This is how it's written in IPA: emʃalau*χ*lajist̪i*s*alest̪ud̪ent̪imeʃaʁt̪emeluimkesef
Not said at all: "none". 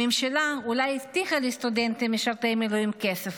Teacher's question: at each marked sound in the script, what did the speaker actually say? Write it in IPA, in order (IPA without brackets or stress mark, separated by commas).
none, χ